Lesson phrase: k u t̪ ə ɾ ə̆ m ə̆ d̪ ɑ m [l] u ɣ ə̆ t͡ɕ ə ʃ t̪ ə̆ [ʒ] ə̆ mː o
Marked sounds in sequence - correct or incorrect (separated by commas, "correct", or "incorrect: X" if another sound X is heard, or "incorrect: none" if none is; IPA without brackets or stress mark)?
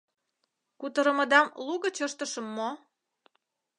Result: correct, incorrect: ʃ